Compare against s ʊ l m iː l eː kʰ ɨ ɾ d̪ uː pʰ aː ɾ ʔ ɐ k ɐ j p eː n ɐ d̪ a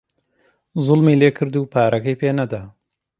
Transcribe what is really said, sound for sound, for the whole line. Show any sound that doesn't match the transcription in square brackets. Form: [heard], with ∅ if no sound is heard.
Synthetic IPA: [z] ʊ l m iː l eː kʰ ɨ ɾ d̪ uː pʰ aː ɾ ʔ ɐ k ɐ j p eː n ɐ d̪ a